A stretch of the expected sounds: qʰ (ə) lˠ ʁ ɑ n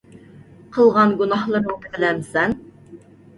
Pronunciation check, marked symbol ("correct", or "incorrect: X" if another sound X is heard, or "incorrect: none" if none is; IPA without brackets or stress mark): correct